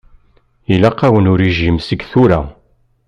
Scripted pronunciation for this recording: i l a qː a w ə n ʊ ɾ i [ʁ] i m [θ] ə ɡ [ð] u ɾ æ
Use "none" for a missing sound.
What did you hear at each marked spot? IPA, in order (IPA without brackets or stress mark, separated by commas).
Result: ʒ, s, θ